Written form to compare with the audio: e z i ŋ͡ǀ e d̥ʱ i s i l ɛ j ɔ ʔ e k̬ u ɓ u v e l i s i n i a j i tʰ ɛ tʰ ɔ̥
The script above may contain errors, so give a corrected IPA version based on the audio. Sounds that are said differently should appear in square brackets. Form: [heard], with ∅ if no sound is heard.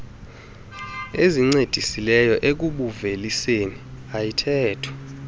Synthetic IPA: e z i ŋ͡ǀ e d̥ʱ i s i l ɛ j ɔ ʔ e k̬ u ɓ u v e l i s [e] n i a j i tʰ [ɛː] tʰ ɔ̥